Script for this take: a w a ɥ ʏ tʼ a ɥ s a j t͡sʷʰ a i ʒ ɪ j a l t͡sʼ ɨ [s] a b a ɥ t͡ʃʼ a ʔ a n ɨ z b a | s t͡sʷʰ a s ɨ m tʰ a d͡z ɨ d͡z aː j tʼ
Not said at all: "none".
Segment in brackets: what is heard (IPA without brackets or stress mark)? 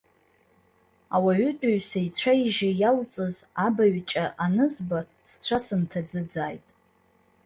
z